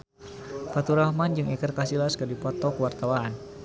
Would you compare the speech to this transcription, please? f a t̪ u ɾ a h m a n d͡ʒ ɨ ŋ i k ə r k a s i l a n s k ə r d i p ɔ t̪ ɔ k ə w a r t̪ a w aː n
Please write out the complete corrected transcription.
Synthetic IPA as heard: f a t̪ u ɾ a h m a n d͡ʒ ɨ ŋ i k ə r k a s i l a s k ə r d i p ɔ t̪ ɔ k ə w a r t̪ a w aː n